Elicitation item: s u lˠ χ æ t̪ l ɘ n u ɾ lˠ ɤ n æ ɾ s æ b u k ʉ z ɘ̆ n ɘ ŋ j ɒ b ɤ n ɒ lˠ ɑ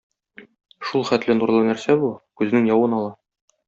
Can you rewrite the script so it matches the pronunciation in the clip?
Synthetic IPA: ʃ u lˠ χ æ t̪ l ɘ n u ɾ lˠ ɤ n æ ɾ s æ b u k ʉ z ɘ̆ n ɘ ŋ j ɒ w ɤ n ɒ lˠ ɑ

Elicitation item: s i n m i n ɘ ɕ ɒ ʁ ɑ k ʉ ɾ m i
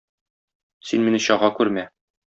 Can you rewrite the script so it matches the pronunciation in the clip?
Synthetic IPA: s i n m i n ɘ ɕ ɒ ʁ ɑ k ʉ ɾ m æ

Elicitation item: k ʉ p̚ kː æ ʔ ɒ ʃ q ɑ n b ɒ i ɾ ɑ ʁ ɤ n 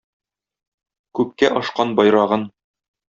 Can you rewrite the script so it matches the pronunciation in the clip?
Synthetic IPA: k ʉ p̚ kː æ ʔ ɒ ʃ q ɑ n b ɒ j ɾ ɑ ʁ ɤ n

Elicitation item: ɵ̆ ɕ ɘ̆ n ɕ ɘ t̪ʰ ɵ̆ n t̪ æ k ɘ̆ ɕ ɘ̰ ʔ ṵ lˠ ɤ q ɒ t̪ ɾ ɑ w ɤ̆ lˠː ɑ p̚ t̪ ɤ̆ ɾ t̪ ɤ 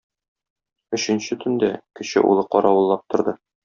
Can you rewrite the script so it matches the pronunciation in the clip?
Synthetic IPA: ɵ̆ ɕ ɘ̆ n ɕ ɘ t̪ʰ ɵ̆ n d̪ æ k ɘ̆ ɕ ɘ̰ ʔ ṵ lˠ ɤ q ɒ ɾ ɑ w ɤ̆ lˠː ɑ p̚ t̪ ŏ ɾ d̪ ɤ

